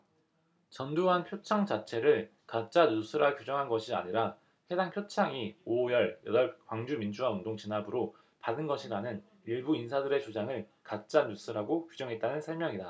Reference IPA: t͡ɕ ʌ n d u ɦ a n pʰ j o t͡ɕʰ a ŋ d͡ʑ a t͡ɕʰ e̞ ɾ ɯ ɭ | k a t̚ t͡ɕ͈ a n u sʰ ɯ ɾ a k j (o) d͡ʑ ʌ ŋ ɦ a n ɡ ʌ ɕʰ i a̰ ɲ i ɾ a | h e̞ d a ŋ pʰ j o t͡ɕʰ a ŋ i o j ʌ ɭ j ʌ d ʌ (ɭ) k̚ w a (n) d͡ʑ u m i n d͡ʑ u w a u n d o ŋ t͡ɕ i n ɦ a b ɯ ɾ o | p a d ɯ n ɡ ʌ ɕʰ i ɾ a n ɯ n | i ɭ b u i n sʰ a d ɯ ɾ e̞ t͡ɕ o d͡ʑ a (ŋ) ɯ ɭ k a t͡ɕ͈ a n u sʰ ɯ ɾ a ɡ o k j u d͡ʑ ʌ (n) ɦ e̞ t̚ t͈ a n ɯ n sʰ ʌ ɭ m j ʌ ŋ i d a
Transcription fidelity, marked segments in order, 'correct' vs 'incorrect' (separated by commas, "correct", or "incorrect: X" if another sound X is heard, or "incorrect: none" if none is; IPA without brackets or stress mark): incorrect: u, correct, incorrect: ŋ, correct, incorrect: ŋ